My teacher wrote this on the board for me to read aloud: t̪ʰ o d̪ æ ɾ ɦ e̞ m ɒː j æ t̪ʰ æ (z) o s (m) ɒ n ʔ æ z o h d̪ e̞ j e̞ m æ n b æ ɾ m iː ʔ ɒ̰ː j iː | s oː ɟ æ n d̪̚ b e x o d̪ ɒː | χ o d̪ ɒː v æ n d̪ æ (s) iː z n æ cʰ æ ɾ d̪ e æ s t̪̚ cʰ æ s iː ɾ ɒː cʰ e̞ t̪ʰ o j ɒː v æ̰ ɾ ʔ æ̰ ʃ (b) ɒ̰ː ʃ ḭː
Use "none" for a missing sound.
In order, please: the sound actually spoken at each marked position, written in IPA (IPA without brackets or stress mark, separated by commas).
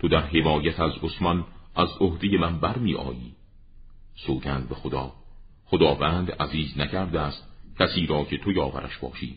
z, m, z, b